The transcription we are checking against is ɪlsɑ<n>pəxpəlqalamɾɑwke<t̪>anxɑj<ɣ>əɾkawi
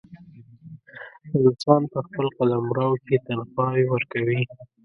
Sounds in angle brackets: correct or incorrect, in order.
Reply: correct, correct, incorrect: w

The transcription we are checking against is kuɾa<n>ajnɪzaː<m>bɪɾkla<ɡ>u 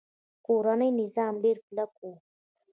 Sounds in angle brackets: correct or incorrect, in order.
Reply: correct, correct, incorrect: k

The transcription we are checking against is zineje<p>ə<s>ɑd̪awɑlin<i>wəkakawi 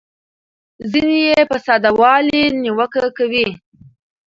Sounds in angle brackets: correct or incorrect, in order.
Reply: correct, correct, correct

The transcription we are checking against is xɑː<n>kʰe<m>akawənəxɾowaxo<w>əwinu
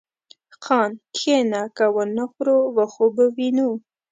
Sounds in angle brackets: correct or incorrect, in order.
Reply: correct, incorrect: n, incorrect: b

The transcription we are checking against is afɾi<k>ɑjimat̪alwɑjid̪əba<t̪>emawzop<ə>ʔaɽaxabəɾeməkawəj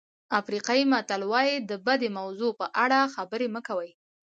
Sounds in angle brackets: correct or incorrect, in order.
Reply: incorrect: q, incorrect: d̪, correct

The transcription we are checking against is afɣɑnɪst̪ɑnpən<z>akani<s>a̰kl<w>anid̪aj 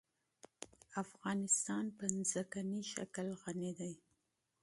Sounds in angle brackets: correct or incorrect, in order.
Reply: correct, incorrect: ʃ, incorrect: ɣ

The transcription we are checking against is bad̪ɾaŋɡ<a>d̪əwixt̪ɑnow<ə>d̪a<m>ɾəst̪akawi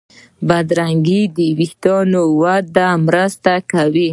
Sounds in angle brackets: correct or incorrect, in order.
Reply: incorrect: i, incorrect: a, correct

